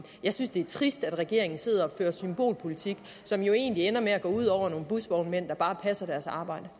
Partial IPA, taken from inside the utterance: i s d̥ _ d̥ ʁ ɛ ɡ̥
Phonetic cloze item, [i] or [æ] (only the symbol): æ